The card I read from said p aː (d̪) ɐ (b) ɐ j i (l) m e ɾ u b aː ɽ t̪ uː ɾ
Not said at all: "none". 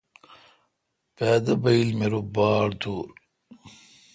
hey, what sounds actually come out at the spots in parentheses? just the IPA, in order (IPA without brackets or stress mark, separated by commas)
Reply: d̪, b, l